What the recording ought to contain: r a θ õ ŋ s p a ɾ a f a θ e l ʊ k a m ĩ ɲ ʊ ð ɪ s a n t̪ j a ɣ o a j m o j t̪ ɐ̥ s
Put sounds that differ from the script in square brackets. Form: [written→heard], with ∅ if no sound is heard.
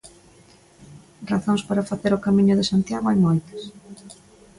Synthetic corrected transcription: r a θ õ ŋ s p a ɾ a f a θ e [l→ɾ] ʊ k a m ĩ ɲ ʊ ð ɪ s a n t̪ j a ɣ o a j m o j t̪ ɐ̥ s